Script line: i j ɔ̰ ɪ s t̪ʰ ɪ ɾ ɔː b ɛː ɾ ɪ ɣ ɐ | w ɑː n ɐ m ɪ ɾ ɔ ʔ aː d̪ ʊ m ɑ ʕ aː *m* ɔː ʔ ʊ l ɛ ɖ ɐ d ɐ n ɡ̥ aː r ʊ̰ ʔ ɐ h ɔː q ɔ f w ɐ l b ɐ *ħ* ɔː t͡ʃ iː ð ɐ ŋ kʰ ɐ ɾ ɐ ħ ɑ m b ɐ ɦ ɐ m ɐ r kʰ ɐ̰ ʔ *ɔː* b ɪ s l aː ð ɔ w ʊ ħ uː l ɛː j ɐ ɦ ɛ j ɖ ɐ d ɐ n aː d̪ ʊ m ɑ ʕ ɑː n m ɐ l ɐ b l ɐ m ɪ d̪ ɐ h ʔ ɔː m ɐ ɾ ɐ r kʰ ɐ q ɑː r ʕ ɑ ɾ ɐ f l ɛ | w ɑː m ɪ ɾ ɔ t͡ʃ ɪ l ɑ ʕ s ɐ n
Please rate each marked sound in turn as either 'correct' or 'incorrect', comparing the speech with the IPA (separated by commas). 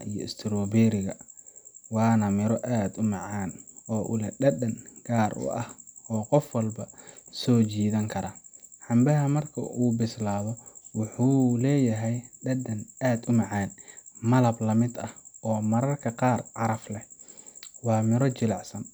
incorrect, incorrect, incorrect